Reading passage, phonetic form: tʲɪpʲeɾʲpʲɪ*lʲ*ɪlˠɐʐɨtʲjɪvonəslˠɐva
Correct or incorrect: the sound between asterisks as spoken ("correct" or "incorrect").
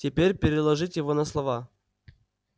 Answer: incorrect